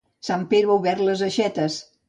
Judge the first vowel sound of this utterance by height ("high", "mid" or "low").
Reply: low